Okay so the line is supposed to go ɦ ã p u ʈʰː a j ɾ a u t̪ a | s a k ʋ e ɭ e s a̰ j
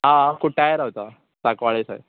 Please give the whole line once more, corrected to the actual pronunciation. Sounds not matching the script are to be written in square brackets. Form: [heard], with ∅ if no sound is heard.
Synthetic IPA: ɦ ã [k] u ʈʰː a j ɾ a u t̪ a | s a k ʋ [a] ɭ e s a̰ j

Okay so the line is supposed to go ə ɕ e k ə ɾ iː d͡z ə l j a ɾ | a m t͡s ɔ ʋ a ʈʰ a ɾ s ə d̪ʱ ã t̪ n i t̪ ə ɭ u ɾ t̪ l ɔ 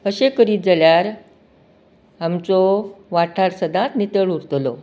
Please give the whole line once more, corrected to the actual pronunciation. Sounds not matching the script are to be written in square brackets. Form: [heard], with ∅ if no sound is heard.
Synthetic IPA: ə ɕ e k ə ɾ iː d͡z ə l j a ɾ | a m t͡s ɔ ʋ a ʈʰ a ɾ s ə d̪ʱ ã t̪ n i t̪ ə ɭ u ɾ t̪ l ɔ

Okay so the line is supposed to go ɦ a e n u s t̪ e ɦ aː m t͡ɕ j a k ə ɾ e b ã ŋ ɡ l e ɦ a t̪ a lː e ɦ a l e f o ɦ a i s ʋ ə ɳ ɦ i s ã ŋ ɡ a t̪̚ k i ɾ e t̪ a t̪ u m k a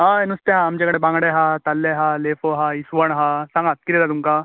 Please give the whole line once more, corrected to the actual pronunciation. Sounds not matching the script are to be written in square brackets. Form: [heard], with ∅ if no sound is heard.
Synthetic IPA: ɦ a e n u s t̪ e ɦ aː m t͡ɕ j a k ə [ɽ] e b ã ŋ ɡ [ɽ] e ɦ a t̪ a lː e ɦ a l e f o ɦ a i s ʋ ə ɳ ɦ [a] s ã ŋ ɡ a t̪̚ k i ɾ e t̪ a t̪ u m k a

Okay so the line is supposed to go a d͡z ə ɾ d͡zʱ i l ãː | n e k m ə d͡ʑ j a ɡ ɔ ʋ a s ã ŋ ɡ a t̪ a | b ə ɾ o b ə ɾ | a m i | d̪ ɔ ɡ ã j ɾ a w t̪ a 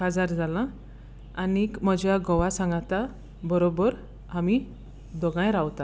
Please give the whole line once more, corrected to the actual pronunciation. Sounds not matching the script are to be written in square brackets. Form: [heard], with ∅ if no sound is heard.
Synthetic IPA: a d͡z [a] ɾ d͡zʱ [a] l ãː | n [i] k m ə d͡ʑ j a ɡ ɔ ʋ a s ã ŋ ɡ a t̪ a | b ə ɾ o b ə ɾ | a m i | d̪ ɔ ɡ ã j ɾ a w t̪ a

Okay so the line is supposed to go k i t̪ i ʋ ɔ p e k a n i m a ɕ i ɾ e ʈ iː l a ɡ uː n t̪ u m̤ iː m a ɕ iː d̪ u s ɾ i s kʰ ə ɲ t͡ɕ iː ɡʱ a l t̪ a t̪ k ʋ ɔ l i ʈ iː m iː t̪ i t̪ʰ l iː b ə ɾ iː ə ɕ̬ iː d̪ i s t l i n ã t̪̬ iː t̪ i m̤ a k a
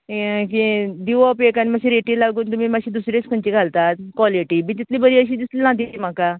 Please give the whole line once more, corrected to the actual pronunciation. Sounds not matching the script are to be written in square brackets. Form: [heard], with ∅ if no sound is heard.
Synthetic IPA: k i [d̪] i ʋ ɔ p e k a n i m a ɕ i ɾ e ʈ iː l a ɡ uː n t̪ u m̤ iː m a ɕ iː d̪ u s ɾ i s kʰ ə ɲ t͡ɕ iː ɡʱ a l t̪ a t̪ k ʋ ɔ l i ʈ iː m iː t̪ i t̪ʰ l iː b ə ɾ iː ə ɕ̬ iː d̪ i s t l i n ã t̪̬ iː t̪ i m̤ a k a

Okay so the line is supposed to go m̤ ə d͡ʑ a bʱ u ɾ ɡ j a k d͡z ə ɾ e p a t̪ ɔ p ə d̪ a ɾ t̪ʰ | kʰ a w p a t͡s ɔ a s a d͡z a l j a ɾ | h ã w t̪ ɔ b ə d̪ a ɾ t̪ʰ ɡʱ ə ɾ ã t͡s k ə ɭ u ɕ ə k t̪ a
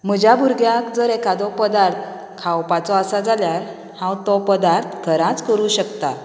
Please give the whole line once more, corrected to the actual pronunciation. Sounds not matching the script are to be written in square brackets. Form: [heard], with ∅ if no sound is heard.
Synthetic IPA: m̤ ə d͡ʑ a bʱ u ɾ ɡ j a k d͡z ə ɾ e [k] a [d̪] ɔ p ə d̪ a ɾ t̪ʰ | kʰ a w p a t͡s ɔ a s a d͡z a l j a ɾ | h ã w t̪ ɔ [p] ə d̪ a ɾ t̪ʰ ɡʱ ə ɾ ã t͡s k ə [ɾ] u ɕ ə k t̪ a

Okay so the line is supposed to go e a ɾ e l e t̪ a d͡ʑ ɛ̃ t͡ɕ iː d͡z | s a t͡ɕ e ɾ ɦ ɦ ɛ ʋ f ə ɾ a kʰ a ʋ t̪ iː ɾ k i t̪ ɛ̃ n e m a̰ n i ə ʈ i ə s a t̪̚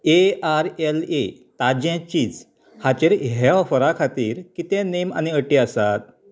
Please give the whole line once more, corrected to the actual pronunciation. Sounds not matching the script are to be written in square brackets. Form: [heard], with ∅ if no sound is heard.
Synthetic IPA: e a ɾ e l e t̪ a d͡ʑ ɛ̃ t͡ɕ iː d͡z | [h] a t͡ɕ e ɾ ɦ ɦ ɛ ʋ f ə ɾ a kʰ a [∅] t̪ iː ɾ k i t̪ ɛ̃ n e m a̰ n i ə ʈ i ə s a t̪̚

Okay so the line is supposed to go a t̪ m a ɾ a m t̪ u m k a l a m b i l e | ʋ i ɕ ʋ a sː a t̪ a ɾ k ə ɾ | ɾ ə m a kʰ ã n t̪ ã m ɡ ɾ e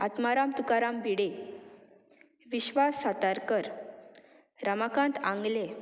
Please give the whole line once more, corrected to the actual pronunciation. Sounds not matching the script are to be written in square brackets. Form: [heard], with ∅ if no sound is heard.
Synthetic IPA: a t̪ m a ɾ a m t̪ u [∅] k a [ɾ] a m b i [ɽ] e | ʋ i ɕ ʋ a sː a t̪ a ɾ k ə ɾ | ɾ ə m a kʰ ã n t̪ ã [ŋ] ɡ [l] e

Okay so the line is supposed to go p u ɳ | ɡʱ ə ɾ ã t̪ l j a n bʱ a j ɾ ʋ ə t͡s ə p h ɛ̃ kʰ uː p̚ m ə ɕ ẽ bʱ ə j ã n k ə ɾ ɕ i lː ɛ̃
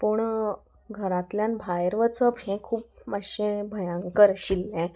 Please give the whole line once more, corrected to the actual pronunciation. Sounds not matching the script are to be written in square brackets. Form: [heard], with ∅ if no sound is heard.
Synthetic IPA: p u ɳ | ɡʱ ə ɾ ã t̪ l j a n bʱ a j ɾ ʋ ə t͡s ə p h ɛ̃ kʰ uː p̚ m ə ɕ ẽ bʱ ə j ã [ŋ] k ə ɾ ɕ i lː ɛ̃

